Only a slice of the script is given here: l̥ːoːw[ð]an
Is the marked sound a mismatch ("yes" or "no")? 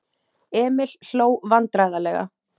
yes